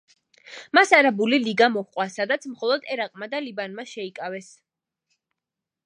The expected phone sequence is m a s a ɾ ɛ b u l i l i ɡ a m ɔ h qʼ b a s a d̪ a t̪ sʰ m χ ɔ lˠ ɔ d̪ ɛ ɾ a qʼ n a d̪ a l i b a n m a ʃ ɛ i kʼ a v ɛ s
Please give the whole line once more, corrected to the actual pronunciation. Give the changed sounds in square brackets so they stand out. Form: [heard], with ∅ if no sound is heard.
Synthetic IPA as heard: m a s a ɾ [a] b u l i l i ɡ a m ɔ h qʼ [w] a s a d̪ a t̪ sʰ m χ ɔ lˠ ɔ d̪ ɛ ɾ a qʼ [m] a d̪ a l i b a n m a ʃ ɛ i kʼ a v ɛ s